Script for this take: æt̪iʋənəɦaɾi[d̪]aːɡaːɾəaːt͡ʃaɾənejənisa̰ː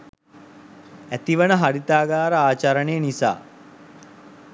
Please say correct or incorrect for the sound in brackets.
incorrect